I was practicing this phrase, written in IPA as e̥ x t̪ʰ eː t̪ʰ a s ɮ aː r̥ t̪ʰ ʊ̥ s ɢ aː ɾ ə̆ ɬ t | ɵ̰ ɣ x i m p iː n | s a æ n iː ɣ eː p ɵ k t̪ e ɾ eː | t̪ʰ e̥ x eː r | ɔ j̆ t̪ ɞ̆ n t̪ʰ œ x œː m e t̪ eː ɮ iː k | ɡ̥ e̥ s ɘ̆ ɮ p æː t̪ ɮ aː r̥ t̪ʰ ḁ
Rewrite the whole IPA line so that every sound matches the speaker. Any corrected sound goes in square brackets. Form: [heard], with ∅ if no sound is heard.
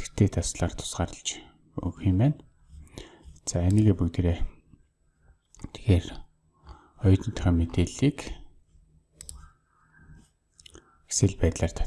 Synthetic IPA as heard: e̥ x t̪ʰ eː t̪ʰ a s ɮ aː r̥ t̪ʰ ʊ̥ s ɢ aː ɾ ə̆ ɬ [t͡ɕ] | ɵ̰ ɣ x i m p [æː] n | [t͡s] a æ n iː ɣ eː p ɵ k t̪ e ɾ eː | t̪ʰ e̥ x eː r | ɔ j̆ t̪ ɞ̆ n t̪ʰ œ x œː m e t̪ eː ɮ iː k | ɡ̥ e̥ s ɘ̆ ɮ p æː t̪ ɮ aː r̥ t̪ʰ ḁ